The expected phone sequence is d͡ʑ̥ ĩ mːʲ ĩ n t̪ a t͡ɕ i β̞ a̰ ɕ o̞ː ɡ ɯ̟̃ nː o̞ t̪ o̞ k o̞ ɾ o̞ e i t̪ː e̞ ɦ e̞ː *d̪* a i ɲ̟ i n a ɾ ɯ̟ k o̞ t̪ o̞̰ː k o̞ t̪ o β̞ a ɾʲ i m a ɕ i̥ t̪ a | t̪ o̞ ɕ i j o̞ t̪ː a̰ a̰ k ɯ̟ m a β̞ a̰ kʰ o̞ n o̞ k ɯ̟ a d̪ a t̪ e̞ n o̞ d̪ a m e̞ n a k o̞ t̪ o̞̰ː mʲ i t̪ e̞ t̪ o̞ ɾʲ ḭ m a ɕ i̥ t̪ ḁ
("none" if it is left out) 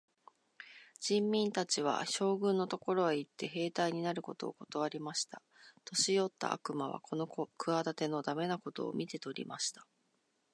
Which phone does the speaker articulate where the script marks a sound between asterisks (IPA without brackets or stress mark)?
t̪